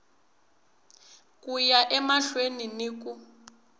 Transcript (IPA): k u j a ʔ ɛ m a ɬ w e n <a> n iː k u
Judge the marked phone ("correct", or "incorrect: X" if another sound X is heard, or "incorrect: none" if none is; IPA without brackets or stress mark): incorrect: i